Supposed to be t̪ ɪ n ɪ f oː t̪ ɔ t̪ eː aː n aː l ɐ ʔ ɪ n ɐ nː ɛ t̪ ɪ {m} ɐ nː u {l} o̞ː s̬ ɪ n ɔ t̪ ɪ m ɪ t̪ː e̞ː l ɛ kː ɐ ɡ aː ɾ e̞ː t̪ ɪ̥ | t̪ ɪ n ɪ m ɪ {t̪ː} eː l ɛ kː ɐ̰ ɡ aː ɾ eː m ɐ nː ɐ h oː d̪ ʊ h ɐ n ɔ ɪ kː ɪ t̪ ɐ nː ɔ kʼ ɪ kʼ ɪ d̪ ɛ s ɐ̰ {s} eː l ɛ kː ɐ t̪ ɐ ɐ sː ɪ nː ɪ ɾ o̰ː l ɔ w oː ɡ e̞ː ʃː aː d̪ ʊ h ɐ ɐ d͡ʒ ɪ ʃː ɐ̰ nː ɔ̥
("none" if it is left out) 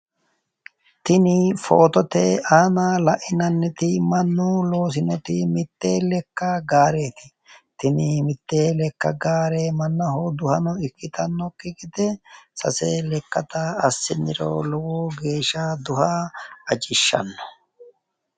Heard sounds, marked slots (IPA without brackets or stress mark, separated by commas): m, l, t̪ː, s